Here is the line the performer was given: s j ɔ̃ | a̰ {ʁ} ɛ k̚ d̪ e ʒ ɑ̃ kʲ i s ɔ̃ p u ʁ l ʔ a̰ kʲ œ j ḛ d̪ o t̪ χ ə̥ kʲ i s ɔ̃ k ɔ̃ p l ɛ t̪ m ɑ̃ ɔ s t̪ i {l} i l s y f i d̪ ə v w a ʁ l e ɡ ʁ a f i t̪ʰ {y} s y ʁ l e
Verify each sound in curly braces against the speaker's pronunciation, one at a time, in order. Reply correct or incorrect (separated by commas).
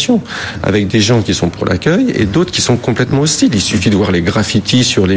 incorrect, correct, incorrect